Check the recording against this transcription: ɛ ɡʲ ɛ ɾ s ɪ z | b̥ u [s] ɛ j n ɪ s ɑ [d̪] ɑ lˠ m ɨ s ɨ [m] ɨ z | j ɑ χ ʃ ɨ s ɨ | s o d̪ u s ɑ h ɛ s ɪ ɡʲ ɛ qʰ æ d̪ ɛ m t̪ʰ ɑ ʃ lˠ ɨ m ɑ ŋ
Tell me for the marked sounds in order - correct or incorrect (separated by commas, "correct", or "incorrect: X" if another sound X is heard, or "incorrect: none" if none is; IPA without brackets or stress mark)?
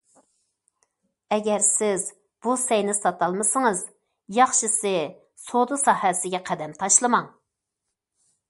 correct, incorrect: t̪, incorrect: ŋ